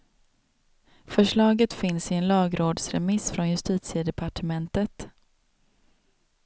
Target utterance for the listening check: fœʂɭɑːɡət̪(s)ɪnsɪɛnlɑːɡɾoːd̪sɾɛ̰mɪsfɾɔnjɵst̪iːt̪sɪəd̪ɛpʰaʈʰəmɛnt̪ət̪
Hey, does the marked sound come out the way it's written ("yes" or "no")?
no